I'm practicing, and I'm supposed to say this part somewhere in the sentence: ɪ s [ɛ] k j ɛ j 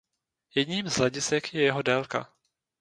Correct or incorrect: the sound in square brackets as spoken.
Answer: correct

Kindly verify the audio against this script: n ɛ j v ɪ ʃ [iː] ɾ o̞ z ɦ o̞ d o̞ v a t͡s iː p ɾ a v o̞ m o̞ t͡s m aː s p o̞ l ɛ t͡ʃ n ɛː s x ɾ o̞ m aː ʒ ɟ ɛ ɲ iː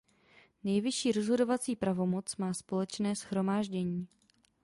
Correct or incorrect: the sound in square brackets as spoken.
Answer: correct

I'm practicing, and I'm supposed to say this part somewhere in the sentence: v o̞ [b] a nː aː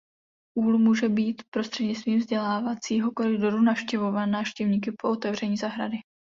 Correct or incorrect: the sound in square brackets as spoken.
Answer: incorrect: v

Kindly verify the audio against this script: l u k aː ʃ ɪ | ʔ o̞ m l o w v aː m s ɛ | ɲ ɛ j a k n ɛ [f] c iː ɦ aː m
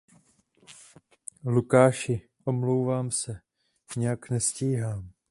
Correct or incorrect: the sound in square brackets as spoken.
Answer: incorrect: s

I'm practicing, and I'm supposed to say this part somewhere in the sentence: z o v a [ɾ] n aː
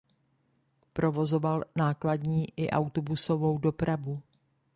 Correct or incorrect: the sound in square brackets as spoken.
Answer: incorrect: l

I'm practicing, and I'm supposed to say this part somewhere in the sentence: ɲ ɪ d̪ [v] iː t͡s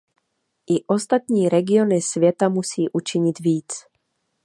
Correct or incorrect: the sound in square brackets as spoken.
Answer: correct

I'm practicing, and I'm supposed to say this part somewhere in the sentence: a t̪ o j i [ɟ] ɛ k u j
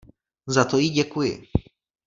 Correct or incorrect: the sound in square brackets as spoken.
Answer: correct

